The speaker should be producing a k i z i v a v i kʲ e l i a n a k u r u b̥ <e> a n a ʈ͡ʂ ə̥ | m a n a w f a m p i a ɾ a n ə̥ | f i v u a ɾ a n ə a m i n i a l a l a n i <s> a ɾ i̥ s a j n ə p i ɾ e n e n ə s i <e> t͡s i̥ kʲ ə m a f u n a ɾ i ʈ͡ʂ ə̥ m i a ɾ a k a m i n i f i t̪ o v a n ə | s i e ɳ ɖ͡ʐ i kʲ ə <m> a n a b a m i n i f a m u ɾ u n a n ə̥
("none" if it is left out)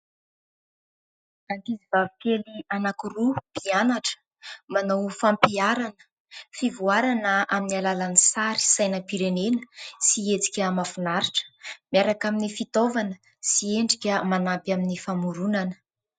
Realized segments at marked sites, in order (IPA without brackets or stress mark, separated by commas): i, s, e, m